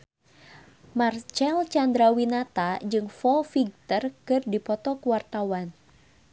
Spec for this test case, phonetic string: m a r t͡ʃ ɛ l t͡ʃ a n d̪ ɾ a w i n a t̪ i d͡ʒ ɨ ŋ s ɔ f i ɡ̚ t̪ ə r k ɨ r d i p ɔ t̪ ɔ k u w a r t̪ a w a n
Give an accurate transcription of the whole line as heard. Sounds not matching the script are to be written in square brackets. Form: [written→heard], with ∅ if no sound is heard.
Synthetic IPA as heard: m a r t͡ʃ ɛ l t͡ʃ a n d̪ ɾ a w i n a t̪ [i→a] d͡ʒ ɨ ŋ [s→f] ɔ f i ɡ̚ t̪ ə r k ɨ r d i p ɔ t̪ ɔ k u w a r t̪ a w a n